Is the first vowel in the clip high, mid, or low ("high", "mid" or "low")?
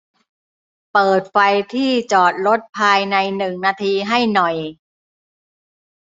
mid